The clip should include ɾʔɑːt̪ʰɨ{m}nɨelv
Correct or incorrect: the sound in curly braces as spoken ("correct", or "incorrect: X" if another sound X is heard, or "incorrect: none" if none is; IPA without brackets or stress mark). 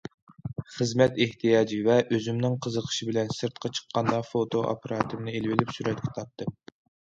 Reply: correct